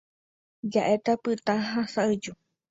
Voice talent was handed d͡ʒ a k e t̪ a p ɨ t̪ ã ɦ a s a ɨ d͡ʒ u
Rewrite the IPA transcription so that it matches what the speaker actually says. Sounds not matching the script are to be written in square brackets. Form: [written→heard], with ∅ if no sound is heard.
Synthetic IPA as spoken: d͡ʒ a [k→ʔ] e t̪ a p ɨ t̪ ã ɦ a s a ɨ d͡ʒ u